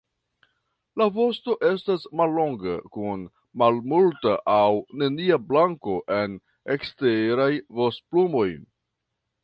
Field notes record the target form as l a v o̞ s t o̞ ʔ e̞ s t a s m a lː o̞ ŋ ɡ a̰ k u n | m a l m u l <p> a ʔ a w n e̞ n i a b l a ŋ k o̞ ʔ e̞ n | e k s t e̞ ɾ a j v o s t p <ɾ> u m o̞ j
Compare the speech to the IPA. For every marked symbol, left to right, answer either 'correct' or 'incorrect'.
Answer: incorrect, incorrect

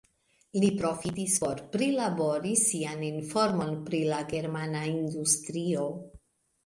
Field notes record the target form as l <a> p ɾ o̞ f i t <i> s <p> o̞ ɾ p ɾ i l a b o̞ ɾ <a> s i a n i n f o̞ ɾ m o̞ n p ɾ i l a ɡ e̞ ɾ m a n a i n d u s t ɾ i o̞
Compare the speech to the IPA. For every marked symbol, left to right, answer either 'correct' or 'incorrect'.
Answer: incorrect, correct, correct, incorrect

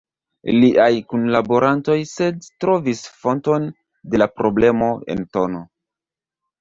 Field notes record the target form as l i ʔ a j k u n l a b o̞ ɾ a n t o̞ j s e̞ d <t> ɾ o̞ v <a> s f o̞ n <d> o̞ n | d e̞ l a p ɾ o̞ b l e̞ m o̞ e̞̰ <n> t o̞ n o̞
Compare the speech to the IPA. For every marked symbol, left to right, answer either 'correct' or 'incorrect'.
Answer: correct, incorrect, incorrect, correct

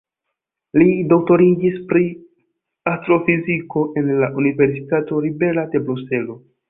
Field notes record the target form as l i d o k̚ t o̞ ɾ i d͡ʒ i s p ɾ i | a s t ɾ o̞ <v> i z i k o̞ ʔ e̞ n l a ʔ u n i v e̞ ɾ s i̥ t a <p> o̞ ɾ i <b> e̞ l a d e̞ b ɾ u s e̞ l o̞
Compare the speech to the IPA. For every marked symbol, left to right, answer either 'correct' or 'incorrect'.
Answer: incorrect, incorrect, correct

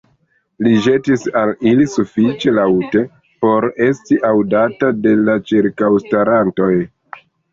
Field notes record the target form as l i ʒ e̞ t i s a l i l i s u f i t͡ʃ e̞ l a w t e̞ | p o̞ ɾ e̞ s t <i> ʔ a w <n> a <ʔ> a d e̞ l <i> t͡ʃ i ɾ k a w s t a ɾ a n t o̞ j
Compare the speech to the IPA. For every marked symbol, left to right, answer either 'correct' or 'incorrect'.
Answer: correct, incorrect, incorrect, incorrect

